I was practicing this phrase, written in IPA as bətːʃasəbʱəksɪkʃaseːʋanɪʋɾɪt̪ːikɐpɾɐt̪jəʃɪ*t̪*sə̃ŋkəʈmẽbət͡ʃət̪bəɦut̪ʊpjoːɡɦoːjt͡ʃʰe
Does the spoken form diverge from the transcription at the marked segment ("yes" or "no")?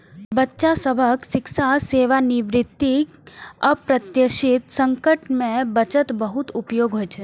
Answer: no